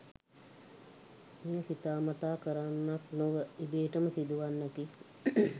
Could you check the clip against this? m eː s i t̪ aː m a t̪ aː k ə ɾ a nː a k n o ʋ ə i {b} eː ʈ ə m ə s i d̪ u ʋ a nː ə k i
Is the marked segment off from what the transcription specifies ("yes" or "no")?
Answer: no